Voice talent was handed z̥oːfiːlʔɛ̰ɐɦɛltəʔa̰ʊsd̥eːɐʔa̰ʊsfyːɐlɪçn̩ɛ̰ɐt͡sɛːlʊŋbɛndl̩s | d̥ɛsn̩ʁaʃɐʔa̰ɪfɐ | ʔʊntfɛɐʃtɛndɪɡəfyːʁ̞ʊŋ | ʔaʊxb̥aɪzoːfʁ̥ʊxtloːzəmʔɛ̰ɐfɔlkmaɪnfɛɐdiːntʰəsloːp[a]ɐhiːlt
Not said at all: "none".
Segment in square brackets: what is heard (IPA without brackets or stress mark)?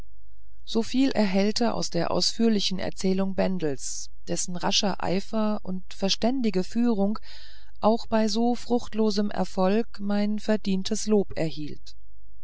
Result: ɛ